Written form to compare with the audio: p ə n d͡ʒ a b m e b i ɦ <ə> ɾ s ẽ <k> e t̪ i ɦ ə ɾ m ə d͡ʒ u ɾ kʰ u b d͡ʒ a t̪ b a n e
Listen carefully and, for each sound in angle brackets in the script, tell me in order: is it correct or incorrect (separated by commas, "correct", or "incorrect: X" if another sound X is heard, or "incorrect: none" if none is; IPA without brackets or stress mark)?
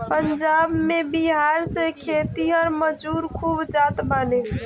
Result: incorrect: a, incorrect: kʰ